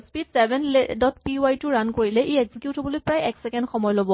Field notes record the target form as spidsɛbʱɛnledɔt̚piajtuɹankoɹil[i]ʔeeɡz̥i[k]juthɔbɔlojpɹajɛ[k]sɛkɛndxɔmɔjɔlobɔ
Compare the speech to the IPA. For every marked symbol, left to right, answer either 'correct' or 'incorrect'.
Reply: incorrect: ɛ, correct, correct

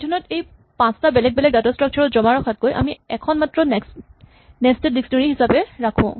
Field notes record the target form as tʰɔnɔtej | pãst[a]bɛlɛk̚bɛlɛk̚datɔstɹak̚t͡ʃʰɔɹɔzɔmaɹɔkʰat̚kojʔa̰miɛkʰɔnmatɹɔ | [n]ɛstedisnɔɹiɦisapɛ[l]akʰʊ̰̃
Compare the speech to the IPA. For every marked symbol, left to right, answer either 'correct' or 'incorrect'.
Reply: correct, correct, incorrect: ɹ

